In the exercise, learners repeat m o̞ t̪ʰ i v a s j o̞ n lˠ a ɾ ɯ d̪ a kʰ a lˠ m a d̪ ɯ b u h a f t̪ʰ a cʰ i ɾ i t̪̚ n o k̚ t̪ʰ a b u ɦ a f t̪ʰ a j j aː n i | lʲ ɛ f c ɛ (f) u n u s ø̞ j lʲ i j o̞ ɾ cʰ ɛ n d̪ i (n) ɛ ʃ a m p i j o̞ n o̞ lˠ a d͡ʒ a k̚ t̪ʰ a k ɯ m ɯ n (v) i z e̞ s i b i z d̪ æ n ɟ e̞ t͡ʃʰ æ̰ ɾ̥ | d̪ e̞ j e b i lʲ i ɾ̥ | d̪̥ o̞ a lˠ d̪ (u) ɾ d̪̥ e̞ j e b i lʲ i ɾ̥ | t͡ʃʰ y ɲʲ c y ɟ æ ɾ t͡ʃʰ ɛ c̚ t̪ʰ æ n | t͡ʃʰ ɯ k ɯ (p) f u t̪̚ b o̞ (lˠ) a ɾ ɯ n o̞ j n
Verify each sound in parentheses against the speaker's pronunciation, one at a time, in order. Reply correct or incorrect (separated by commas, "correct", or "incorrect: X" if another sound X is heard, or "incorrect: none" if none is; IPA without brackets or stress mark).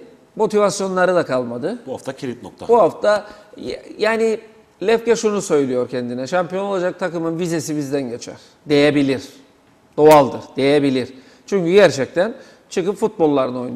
incorrect: ʃ, correct, correct, incorrect: ɯ, correct, incorrect: lˠː